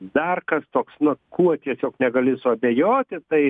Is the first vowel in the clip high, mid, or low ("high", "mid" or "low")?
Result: low